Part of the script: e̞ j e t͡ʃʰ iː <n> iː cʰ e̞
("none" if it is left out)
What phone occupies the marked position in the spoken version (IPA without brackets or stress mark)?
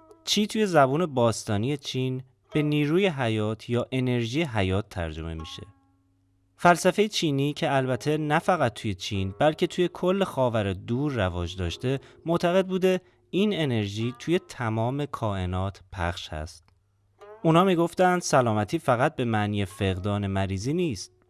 n